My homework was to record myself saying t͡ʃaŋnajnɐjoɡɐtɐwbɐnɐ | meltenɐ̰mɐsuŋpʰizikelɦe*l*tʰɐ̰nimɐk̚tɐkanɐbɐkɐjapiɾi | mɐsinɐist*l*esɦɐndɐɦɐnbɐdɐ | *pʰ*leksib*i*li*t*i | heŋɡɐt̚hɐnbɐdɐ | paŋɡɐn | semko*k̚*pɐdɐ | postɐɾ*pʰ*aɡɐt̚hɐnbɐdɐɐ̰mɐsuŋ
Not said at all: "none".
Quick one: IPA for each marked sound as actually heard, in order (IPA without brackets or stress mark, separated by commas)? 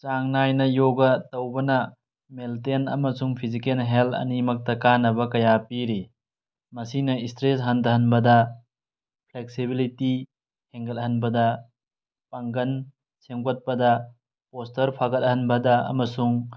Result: l, ɾ, pʰ, i, t, t̚, pʰ